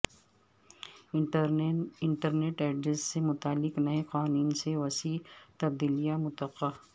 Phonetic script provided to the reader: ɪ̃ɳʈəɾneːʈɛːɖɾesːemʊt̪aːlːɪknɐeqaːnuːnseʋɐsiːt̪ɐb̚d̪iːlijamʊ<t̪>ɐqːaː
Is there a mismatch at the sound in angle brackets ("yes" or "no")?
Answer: no